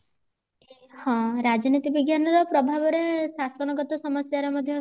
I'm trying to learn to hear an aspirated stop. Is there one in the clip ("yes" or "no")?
no